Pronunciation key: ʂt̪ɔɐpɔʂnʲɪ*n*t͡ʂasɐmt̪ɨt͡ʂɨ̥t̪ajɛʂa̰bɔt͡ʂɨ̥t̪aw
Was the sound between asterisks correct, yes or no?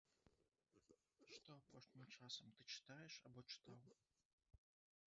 no